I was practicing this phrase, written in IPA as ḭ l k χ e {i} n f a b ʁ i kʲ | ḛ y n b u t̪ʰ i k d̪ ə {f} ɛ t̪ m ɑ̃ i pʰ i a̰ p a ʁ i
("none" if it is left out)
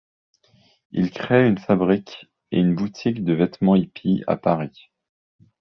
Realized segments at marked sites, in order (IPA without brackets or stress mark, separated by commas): y, v